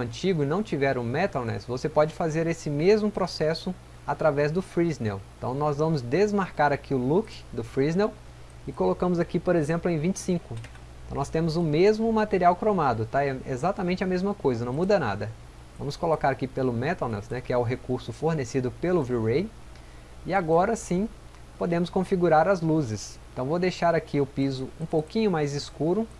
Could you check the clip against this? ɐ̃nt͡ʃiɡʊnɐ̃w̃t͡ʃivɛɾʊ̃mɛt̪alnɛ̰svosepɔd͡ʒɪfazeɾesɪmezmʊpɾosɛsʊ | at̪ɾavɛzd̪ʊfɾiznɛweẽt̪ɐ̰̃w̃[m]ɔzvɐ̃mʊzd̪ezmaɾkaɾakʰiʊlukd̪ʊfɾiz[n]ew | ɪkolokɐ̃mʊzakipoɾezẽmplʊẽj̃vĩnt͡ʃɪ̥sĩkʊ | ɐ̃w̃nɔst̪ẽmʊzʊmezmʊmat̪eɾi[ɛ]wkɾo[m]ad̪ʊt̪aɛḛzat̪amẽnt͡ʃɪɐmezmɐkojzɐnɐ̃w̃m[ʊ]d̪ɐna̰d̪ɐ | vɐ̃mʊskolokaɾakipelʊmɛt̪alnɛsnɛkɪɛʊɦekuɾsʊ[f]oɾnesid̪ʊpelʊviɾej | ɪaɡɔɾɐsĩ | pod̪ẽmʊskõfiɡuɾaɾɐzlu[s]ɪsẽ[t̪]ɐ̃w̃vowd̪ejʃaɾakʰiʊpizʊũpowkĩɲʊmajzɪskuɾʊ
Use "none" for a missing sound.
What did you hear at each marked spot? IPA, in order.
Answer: n, n, a, m, u, f, z, t̪

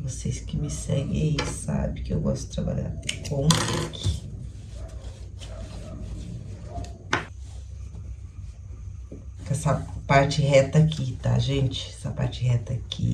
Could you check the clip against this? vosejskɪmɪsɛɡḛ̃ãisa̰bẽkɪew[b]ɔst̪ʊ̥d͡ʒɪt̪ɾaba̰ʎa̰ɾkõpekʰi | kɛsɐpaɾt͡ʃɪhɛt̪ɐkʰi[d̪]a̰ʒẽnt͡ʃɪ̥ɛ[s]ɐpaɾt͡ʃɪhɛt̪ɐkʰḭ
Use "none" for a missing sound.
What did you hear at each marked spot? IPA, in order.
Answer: ɡ, t̪, s

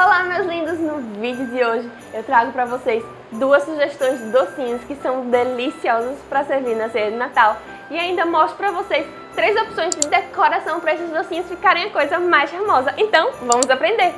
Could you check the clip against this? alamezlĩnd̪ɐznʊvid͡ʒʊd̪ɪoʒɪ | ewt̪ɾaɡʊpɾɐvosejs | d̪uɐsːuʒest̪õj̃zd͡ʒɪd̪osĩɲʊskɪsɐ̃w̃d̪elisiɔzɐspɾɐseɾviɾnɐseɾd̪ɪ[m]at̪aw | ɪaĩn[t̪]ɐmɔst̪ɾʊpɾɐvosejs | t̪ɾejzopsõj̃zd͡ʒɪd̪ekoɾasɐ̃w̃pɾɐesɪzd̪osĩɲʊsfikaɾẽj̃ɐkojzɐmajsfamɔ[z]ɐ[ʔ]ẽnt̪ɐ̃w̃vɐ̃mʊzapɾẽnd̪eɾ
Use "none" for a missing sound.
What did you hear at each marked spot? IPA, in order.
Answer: n, d̪, z, ʔ

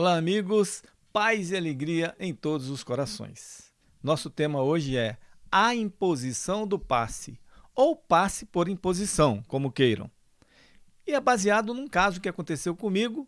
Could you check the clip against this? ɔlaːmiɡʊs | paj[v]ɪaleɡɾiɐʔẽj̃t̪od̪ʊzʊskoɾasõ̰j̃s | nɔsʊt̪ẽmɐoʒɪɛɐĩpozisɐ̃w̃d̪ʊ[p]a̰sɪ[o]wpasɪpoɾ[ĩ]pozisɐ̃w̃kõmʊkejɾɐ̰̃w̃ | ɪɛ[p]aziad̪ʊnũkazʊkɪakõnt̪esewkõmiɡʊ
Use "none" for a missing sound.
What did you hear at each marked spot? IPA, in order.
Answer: z, p, o, ĩ, b

